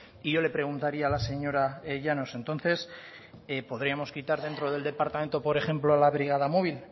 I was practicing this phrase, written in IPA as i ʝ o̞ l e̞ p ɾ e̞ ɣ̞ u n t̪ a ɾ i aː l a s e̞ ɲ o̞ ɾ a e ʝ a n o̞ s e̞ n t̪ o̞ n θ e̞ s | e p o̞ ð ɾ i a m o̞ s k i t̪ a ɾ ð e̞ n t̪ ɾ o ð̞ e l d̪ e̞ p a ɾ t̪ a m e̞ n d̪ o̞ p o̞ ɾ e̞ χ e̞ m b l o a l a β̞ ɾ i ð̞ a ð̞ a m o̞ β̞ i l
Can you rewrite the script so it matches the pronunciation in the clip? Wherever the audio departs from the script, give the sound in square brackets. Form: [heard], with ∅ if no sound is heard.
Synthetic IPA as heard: i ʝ o̞ l e̞ p ɾ e̞ ɣ̞ u n t̪ a ɾ i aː l a s e̞ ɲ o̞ ɾ a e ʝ a n o̞ s e̞ n t̪ o̞ n θ e̞ s | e p o̞ ð ɾ i a m o̞ s k i t̪ a ɾ ð e̞ n t̪ ɾ o ð̞ e l d̪ e̞ p a ɾ t̪ a m e̞ n [t̪] o̞ p o̞ ɾ e̞ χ e̞ m [p] l o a l a β̞ ɾ i [ɣ̞] a ð̞ a m o̞ β̞ i l

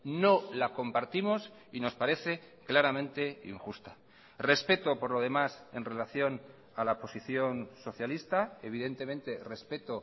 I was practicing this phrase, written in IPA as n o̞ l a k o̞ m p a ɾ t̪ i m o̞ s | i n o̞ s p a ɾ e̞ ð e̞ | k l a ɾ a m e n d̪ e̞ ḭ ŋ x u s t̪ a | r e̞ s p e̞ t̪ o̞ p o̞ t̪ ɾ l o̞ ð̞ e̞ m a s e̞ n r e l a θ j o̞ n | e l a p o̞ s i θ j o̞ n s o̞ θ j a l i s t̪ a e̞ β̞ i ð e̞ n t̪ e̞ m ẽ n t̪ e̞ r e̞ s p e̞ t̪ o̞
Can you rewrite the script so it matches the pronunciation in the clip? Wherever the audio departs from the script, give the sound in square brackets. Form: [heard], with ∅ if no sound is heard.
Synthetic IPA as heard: n o̞ l a k o̞ m p a ɾ t̪ i m o̞ s | i n o̞ s p a ɾ e̞ [θ] e̞ | k l a ɾ a m [ẽ] n [t̪] e̞ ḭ ŋ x u s t̪ a | r e̞ s p e̞ t̪ o̞ p o̞ [∅] ɾ l o̞ ð̞ e̞ m a s e̞ n r e l a θ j o̞ n | [a] l a p o̞ s i θ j o̞ n s o̞ θ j a l i s t̪ a e̞ β̞ i ð e̞ n t̪ e̞ m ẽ n t̪ e̞ r e̞ s p e̞ t̪ o̞

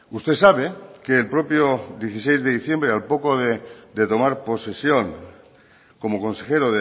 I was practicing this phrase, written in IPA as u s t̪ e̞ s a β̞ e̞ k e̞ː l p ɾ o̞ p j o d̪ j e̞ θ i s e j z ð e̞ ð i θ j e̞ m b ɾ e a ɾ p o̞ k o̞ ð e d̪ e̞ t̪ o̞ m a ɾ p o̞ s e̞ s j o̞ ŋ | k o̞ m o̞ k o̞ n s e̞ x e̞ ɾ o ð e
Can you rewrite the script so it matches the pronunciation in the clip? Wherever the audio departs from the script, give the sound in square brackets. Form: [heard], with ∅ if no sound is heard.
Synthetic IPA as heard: u s t̪ e̞ s a β̞ e̞ k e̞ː l p ɾ o̞ p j o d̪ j e̞ θ i s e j z ð e̞ ð i θ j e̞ m b ɾ e a [l] p o̞ k o̞ ð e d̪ e̞ t̪ o̞ m a ɾ p o̞ s e̞ s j o̞ ŋ | k o̞ m o̞ k o̞ n s e̞ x e̞ ɾ o ð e

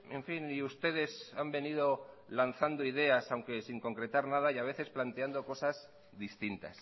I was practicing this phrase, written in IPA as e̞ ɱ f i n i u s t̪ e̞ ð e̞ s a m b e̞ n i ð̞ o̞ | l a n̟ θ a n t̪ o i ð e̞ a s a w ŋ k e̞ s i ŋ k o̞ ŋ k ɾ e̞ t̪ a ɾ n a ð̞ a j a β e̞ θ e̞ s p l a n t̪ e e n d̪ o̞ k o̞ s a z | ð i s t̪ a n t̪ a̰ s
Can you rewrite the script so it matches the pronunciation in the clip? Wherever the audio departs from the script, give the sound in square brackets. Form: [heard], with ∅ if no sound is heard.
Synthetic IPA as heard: e̞ ɱ f i n i u s t̪ e̞ ð e̞ s a m b e̞ n i ð̞ o̞ | l a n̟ θ a n [d̪] o i ð e̞ a s a w ŋ k e̞ s i ŋ k o̞ ŋ k ɾ e̞ t̪ a ɾ n a ð̞ a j a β e̞ θ e̞ s p l a n t̪ e [a] n d̪ o̞ k o̞ s a z | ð i s t̪ [i] n t̪ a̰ s

